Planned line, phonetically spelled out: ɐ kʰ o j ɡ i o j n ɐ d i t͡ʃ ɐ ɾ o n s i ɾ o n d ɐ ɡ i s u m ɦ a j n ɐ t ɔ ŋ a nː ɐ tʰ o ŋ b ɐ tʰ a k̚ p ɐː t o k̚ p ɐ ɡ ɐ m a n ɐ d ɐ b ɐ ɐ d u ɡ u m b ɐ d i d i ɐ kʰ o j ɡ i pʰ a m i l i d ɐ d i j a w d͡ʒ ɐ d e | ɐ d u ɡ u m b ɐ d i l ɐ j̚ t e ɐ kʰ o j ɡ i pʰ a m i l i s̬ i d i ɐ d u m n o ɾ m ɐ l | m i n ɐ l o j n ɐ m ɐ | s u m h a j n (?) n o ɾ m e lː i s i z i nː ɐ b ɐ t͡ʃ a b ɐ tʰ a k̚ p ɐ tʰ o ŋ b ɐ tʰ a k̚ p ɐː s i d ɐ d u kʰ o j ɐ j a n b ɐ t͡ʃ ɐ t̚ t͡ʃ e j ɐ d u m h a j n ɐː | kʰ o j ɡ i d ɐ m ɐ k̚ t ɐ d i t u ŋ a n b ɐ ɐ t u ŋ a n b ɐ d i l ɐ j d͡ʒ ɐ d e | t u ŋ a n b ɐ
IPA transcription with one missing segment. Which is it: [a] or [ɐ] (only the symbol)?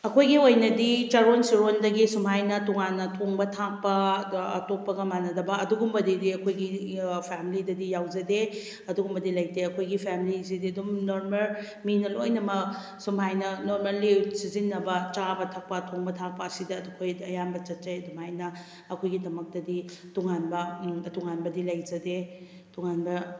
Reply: ɐ